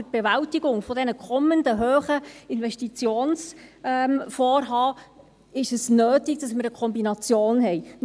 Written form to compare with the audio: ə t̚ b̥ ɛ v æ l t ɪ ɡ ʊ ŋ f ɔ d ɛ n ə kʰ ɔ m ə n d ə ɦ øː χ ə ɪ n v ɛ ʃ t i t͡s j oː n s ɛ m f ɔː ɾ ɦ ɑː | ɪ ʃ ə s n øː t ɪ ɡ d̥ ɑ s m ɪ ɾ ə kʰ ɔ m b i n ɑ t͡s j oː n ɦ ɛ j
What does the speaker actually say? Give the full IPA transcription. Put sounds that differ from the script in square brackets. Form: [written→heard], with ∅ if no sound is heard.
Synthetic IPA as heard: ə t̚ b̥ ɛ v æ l t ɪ ɡ ʊ ŋ f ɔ d ɛ n ə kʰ ɔ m ə n d ə ɦ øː χ ə ɪ n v ɛ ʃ t i t͡s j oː n s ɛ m f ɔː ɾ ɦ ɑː | ɪ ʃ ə s n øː t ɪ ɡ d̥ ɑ s m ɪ ɾ ə kʰ ɔ m b i n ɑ t͡s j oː n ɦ ɛ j